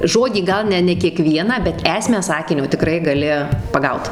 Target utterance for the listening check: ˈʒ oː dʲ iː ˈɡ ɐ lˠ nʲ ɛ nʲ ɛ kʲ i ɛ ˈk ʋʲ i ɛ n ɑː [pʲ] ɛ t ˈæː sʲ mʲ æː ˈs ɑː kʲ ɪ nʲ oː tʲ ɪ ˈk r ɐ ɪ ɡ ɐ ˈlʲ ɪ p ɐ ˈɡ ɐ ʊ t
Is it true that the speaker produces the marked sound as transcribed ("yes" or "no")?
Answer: no